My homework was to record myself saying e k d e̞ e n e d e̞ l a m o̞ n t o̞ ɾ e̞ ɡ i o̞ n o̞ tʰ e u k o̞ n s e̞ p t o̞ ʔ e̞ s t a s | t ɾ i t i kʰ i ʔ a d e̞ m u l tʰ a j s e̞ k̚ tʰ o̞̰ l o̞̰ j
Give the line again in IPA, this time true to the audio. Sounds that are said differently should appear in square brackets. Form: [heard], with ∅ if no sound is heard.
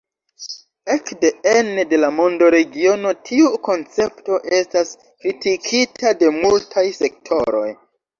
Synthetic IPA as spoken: e k d e̞ e n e d e̞ l a m o̞ n [d] o̞ ɾ e̞ ɡ i o̞ n o̞ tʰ [i] u k o̞ n [t͡s] e̞ p t o̞ ʔ e̞ s t a s | [k] ɾ i t i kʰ i [t] a d e̞ m u l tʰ a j s e̞ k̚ tʰ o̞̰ [ɾ] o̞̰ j